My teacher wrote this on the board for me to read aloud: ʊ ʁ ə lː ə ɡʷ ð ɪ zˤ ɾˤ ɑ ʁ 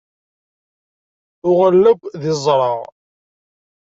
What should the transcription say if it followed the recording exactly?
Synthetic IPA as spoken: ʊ ʁ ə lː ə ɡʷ ð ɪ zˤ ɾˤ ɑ ʁ